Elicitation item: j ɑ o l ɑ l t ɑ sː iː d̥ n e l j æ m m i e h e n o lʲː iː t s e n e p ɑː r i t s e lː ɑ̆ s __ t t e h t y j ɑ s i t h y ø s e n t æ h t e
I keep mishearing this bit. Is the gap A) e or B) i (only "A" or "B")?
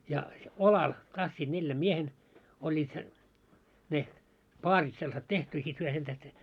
A